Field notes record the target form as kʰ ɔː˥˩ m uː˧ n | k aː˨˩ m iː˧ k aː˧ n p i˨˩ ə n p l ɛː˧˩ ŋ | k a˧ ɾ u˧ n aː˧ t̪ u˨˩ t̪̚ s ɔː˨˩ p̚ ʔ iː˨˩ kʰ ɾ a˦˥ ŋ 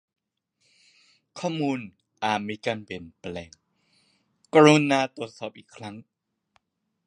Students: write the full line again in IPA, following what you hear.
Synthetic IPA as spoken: kʰ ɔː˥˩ m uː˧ n | ʔ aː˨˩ m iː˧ k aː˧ n p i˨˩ ə n p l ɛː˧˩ ŋ | k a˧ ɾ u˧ n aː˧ t̪ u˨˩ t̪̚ s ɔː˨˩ p̚ ʔ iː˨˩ kʰ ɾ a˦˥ ŋ